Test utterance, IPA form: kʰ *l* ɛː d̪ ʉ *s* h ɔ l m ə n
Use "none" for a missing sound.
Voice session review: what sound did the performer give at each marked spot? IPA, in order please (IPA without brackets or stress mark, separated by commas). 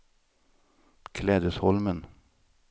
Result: l, s